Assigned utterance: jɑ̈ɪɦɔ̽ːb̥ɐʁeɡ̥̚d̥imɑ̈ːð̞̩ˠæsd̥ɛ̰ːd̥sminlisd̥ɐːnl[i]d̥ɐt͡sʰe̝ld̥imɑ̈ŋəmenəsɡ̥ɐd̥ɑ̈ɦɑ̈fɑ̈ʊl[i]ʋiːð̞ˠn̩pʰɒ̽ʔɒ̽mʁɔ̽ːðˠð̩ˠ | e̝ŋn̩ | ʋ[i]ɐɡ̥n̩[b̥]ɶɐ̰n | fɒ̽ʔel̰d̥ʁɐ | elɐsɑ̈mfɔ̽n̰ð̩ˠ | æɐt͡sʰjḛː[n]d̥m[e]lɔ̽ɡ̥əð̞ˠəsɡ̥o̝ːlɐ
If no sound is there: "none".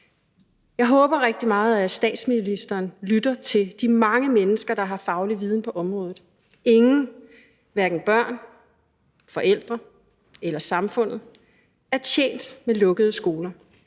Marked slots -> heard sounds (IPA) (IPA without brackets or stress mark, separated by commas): y, i, æ, b̥, n, e